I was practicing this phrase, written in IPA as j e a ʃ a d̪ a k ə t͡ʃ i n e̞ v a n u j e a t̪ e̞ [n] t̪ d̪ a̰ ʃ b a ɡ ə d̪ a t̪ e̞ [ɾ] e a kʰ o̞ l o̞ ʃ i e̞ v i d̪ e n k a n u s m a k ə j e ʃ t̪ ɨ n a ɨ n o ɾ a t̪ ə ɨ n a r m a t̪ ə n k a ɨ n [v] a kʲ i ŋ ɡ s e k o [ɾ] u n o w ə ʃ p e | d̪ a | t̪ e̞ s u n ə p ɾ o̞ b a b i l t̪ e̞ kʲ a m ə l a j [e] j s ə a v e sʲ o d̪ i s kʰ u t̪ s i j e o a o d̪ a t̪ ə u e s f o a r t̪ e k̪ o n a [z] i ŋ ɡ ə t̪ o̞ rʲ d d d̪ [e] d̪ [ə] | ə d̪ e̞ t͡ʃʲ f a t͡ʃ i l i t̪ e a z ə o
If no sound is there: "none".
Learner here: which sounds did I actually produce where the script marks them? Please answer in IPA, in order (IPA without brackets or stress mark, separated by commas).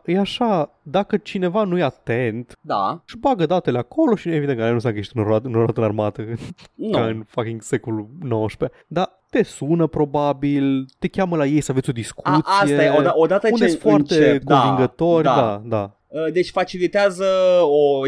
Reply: n, l, f, l, e, v, a, a